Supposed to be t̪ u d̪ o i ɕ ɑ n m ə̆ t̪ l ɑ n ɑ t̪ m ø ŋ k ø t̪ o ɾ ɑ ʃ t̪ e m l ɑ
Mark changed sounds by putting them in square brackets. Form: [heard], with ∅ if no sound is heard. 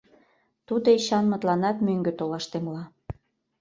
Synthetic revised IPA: t̪ u d̪ o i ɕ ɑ n m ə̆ t̪ l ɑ n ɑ t̪ m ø ŋ [ɡ] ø t̪ o [l] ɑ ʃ t̪ e m l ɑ

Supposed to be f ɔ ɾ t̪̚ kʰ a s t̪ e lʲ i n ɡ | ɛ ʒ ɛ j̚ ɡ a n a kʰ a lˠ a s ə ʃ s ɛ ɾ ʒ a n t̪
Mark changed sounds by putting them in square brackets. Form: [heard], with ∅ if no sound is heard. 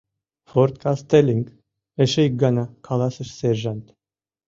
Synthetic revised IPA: f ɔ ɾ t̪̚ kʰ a s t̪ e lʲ i [ŋ] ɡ | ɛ [ʃ] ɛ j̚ ɡ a n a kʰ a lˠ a s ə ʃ s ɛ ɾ ʒ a n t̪

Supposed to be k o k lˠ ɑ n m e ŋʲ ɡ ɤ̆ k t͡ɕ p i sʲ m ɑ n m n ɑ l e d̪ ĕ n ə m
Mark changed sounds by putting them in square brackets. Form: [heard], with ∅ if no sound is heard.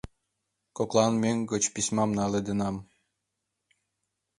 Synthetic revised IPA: k o k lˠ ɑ n m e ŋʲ ɡ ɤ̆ [∅] t͡ɕ p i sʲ m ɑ [∅] m n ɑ l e d̪ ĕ n [ɑ] m

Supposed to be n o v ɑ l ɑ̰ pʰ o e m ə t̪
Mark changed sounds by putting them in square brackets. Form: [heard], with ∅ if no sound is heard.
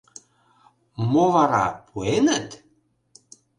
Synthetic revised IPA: [m] o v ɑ [ɾ] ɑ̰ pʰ [u] e [n] ə t̪

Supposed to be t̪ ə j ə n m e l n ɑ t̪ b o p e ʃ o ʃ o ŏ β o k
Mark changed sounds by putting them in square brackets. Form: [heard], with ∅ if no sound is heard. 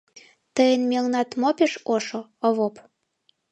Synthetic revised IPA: t̪ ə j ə n m e l n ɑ t̪ [m] o p e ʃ o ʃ o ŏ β o [p]

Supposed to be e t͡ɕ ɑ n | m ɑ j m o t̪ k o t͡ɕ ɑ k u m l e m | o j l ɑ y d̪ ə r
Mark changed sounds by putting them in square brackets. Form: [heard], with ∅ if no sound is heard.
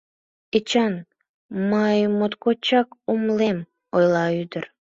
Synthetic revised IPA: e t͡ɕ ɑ n | m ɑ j m o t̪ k o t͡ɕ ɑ k u m l e m | o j l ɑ y d̪ ə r

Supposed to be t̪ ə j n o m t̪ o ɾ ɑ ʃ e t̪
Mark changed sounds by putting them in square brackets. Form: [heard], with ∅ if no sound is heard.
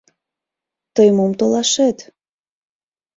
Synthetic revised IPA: t̪ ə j [m] o m t̪ o [l] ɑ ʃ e t̪

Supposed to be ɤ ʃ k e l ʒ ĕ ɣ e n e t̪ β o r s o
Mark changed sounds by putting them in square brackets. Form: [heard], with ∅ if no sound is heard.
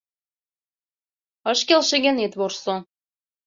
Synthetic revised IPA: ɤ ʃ k e l [ʃ] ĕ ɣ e n e t̪ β o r s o

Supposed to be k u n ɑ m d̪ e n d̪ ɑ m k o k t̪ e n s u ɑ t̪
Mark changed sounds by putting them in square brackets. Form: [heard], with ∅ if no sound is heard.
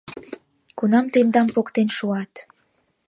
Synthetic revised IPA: k u n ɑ m [t̪] e n d̪ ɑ m [p] o k t̪ e n [ʃ] u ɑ t̪

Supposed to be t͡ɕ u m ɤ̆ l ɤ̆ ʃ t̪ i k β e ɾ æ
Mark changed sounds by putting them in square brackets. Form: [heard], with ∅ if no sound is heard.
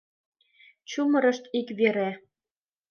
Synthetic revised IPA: t͡ɕ u m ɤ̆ [ɾ] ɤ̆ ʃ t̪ i k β e ɾ æ

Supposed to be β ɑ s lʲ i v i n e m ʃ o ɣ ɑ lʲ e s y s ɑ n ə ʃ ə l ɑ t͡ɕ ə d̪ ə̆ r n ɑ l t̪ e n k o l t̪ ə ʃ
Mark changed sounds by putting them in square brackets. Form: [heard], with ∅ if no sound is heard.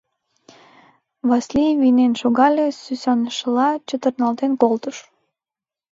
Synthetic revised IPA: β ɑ s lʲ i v i n e [n] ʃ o ɣ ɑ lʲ e s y s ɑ n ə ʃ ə l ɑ t͡ɕ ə [t̪] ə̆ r n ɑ l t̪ e n k o l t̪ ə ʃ

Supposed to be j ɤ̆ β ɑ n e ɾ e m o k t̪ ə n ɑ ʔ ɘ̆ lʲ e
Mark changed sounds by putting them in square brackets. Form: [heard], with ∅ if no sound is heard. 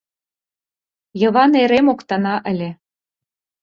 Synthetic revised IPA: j ɤ̆ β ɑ n e ɾ e m o k t̪ [ɑ] n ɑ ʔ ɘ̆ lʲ e

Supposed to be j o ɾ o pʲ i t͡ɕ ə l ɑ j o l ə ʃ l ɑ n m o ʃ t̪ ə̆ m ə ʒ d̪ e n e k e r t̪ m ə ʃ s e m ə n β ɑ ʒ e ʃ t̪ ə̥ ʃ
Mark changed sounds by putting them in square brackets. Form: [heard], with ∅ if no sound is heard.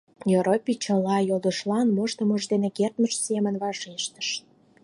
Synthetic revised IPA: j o ɾ o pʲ i t͡ɕ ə l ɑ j o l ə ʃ l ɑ n m o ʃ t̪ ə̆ m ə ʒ d̪ e n e k e r t̪ m ə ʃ s e m ə n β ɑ ʒ e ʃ t̪ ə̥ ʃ

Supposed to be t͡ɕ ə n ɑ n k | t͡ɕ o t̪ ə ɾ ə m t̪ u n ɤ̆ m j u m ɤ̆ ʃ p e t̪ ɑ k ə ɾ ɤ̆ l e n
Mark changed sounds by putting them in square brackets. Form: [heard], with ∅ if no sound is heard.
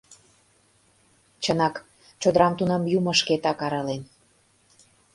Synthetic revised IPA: t͡ɕ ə n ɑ [∅] k | t͡ɕ o [d̪] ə ɾ [ɑ] m t̪ u n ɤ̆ m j u m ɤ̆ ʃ [k] e t̪ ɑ k [ɑ] ɾ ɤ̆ l e n

